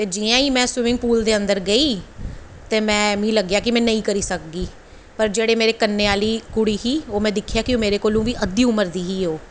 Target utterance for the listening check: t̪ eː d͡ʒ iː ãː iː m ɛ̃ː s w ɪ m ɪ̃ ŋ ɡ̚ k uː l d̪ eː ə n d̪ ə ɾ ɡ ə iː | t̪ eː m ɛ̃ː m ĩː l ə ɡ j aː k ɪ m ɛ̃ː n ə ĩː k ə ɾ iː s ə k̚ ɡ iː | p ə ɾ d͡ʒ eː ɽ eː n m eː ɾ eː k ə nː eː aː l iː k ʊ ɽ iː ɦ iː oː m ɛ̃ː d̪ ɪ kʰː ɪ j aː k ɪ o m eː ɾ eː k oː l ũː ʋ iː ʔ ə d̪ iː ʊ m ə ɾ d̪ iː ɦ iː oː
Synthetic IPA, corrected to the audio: t̪ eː d͡ʒ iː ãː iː m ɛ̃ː s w ɪ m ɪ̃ ŋ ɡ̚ p uː l d̪ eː ə n d̪ ə ɾ ɡ ə iː | t̪ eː m ɛ̃ː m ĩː l ə ɡ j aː k ɪ m ɛ̃ː n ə ĩː k ə ɾ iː s ə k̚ ɡ iː | p ə ɾ d͡ʒ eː ɽ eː m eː ɾ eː k ə nː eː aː l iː k ʊ ɽ iː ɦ iː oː m ɛ̃ː d̪ ɪ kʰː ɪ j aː k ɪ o m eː ɾ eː k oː l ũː ʋ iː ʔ ə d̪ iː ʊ m ə ɾ d̪ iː ɦ iː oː